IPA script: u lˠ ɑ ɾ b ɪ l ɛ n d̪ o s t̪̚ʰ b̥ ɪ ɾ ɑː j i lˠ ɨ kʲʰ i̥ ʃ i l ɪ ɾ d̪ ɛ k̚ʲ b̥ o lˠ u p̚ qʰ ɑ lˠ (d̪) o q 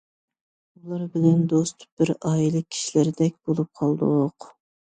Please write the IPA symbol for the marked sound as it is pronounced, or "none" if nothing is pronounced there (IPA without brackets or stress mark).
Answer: d̪